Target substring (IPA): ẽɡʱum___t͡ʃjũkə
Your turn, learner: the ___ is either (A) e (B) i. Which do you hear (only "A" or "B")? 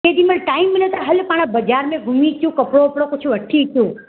B